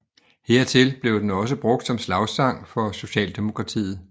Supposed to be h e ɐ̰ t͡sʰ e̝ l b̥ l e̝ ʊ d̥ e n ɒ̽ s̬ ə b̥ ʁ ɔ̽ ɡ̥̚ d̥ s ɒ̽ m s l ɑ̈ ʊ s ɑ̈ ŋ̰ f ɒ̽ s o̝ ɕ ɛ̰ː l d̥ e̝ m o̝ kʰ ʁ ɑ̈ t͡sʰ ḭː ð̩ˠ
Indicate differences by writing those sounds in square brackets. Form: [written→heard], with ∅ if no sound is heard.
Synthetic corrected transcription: h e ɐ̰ t͡sʰ e̝ l b̥ l e̝ ʊ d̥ e n ɒ̽ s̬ ə b̥ ʁ ɔ̽ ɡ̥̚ d̥ s ɒ̽ m s l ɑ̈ ʊ s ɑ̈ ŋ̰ f ɒ̽ s o̝ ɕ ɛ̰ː l d̥ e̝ m o̝ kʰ ʁ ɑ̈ t͡sʰ ḭː ð̩ˠ